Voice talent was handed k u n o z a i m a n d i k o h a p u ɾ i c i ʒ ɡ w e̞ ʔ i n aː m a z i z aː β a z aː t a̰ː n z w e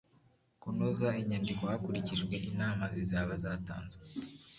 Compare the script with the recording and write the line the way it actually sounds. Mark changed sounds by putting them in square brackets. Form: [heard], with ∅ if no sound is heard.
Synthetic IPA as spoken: k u n o z a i [ɲ] a n d i k o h a [k] u ɾ i c i ʒ ɡ w e̞ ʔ i n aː m a z i z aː β a z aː t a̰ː n z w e